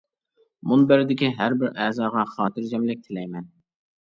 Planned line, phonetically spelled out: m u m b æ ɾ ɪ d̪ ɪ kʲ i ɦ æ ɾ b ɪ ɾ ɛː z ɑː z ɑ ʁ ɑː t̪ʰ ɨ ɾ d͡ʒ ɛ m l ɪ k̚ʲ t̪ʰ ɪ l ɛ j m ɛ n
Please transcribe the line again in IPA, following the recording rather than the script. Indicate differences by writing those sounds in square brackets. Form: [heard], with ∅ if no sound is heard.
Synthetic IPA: m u [n] b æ ɾ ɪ d̪ ɪ kʲ i ɦ æ ɾ b ɪ ɾ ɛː z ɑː [ʁ] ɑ [χ] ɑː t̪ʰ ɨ ɾ d͡ʒ ɛ m l ɪ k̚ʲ t̪ʰ ɪ l ɛ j m ɛ n

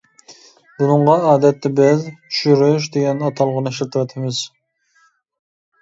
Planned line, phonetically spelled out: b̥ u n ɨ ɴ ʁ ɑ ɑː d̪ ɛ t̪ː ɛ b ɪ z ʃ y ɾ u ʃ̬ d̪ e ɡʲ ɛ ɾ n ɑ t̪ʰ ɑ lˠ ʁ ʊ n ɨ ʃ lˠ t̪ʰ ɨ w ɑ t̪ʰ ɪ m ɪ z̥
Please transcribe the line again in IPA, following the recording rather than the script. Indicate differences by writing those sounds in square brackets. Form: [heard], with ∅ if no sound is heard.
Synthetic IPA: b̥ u n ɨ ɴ ʁ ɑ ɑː d̪ ɛ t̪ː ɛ b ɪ z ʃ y ɾ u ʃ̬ d̪ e ɡʲ ɛ [∅] n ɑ t̪ʰ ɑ lˠ ʁ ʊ n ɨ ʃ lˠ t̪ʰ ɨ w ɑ t̪ʰ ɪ m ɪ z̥

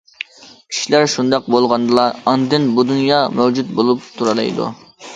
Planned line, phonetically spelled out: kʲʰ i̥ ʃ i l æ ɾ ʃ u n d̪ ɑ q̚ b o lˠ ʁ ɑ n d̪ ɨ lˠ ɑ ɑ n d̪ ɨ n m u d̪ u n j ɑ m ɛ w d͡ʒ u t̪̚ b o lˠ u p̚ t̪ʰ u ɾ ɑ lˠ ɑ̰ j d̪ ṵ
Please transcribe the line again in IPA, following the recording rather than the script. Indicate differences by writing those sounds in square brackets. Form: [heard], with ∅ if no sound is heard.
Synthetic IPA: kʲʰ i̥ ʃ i l æ ɾ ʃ u n d̪ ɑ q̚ b o lˠ ʁ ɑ n d̪ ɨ lˠ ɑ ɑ n d̪ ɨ n [b] u d̪ u n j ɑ m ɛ w d͡ʒ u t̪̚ b o lˠ u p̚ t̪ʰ u ɾ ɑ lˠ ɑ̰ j d̪ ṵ

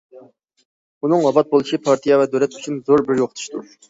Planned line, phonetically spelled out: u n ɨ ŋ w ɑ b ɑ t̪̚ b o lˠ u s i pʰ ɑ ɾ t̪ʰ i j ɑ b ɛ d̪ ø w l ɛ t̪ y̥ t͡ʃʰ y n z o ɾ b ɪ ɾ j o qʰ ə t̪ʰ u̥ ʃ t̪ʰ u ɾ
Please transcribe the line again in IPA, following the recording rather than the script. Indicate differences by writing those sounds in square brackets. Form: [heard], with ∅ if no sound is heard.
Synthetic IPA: u n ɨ ŋ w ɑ b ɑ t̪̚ b o lˠ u [ʃ] i pʰ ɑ ɾ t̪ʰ i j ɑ [v] ɛ d̪ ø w l ɛ t̪ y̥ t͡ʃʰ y n z o ɾ b ɪ ɾ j o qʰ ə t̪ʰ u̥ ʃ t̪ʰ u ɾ

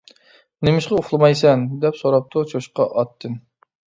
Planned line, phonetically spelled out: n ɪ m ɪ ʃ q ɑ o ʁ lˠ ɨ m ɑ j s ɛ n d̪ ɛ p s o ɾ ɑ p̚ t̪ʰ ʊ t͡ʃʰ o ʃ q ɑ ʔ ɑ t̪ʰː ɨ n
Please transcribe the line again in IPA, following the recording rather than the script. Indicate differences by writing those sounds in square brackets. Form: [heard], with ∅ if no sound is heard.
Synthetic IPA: n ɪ m ɪ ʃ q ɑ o [χ] lˠ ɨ m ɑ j s ɛ n d̪ ɛ p s o ɾ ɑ p̚ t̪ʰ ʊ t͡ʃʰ o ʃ q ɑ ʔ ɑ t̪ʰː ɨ n

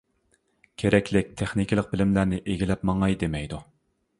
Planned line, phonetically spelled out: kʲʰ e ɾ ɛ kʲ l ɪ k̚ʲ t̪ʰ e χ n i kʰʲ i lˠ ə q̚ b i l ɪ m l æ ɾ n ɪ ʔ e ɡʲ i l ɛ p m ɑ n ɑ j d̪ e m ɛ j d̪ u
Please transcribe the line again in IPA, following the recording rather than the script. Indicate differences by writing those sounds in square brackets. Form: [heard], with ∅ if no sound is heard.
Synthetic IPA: kʲʰ e ɾ ɛ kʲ l ɪ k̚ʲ t̪ʰ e χ n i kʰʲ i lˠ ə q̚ b [ɪ] l ɪ m l æ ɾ n ɪ ʔ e ɡʲ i l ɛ p m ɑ [ŋ] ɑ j d̪ e m ɛ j d̪ u

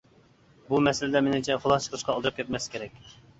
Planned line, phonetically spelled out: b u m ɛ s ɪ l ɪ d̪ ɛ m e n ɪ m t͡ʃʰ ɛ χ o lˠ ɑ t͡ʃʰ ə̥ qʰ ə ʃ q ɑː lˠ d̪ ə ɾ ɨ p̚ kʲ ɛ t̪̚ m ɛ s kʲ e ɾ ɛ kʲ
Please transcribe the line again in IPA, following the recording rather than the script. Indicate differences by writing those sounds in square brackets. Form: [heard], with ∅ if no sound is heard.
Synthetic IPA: b u m ɛ s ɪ l ɪ d̪ ɛ m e n ɪ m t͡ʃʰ ɛ χ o lˠ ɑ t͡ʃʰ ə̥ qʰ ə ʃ q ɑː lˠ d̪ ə ɾ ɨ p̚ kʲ ɛ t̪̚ m ɛ s kʲ e ɾ ɛ kʲ

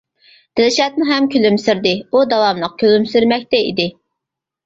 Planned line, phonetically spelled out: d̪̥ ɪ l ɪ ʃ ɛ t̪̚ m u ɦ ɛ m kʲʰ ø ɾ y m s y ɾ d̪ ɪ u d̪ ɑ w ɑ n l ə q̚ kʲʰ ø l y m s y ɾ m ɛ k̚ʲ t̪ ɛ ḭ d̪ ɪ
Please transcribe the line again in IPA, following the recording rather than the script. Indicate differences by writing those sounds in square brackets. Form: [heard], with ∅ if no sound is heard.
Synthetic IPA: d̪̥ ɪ l ɪ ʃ ɛ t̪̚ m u ɦ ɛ m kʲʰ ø [l] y m s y ɾ d̪ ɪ u d̪ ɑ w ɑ [m] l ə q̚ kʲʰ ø l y m s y ɾ m ɛ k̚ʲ t̪ ɛ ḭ d̪ ɪ

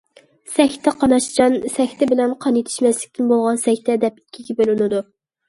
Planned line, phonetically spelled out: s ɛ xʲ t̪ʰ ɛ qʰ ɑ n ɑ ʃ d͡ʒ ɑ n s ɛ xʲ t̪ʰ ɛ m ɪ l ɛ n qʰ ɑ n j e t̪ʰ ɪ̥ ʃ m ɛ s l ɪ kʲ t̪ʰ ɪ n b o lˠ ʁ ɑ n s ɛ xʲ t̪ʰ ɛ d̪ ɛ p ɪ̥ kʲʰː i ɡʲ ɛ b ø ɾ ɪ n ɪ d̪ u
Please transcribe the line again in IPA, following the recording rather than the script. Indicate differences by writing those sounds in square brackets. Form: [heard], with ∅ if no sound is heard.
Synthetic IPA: s ɛ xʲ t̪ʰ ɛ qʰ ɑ n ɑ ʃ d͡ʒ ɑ n s ɛ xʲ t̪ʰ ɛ [b] ɪ l ɛ n qʰ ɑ n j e t̪ʰ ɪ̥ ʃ m ɛ s l ɪ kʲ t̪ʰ ɪ n b o lˠ ʁ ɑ n s ɛ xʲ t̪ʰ ɛ d̪ ɛ p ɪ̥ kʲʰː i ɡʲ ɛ b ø [l] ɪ n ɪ d̪ u

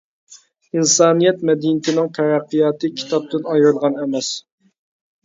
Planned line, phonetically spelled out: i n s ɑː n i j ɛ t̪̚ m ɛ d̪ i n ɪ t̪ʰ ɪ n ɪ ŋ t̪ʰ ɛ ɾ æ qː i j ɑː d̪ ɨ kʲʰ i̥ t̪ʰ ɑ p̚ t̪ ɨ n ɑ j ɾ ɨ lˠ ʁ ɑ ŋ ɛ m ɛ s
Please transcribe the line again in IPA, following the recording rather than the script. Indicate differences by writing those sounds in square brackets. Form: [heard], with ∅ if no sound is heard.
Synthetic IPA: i n s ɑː n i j ɛ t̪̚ m ɛ d̪ i n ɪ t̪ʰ ɪ n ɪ ŋ t̪ʰ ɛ ɾ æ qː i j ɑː [t̪] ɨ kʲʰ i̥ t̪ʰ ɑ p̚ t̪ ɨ n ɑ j ɾ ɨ lˠ ʁ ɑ [n] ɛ m ɛ s

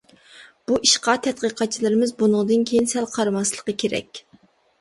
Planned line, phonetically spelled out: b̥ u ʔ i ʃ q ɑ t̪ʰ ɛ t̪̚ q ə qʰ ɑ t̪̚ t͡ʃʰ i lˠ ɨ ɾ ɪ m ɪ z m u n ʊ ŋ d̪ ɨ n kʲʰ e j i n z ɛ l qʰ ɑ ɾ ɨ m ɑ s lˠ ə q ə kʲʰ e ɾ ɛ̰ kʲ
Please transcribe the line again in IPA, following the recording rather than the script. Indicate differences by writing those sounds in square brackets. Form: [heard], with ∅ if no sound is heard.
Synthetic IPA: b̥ u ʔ i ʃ q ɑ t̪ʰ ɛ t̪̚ q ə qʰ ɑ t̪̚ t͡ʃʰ i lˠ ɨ ɾ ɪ m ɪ z [b] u n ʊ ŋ d̪ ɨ n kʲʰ e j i n [s] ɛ l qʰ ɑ ɾ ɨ m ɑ s lˠ ə q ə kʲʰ e ɾ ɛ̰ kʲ

